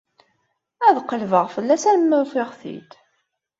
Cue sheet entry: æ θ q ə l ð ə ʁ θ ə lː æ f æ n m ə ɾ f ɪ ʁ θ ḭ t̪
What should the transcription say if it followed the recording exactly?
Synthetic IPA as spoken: æ ð q ə l v ə ʁ f ə lː æ s æ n m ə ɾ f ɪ ʁ θ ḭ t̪